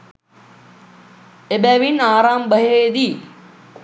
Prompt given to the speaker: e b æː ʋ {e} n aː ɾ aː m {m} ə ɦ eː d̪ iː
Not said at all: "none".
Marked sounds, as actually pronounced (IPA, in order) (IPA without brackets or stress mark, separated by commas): i, b